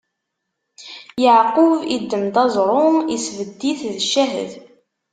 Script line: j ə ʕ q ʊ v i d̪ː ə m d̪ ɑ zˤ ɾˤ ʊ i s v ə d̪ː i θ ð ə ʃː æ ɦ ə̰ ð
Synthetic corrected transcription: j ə ʕ q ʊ v i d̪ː ə m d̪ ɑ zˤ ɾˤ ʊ i s v ə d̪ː i θ ð ə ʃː æ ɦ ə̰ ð